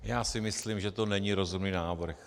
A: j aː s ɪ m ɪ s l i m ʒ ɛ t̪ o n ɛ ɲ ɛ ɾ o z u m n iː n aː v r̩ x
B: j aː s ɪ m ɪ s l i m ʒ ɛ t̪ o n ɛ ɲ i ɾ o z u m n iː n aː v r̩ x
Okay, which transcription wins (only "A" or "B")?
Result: B